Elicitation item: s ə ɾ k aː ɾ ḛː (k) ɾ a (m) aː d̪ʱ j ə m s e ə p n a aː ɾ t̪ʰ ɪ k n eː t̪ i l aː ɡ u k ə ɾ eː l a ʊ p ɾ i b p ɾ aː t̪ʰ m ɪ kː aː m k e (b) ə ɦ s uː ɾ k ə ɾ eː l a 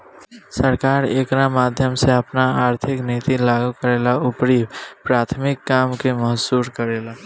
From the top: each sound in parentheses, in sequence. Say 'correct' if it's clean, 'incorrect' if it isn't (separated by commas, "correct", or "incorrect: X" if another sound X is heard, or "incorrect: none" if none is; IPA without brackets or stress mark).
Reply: correct, correct, incorrect: m